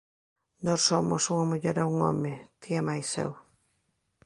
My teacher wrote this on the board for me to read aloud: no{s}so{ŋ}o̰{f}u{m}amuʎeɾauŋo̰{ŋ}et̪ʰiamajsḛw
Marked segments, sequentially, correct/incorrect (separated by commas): correct, incorrect, incorrect, incorrect, incorrect